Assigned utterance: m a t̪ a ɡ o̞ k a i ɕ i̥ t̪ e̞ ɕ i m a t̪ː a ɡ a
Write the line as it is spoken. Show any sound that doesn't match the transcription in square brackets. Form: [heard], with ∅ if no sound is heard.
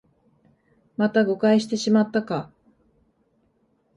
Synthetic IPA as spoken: m a t̪ a ɡ o̞ k a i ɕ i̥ t̪ e̞ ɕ i m a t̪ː a [k] a